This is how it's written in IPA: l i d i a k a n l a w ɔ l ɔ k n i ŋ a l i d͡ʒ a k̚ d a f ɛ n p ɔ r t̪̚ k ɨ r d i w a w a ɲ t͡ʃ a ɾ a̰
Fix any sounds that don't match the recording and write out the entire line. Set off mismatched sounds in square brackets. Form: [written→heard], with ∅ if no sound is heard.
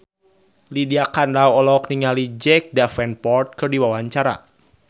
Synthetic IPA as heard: l i d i a k a n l a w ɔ l ɔ k n i ŋ a l i d͡ʒ [a→ɛ] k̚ d a f ɛ n p ɔ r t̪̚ k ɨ r d i w a w a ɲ t͡ʃ a ɾ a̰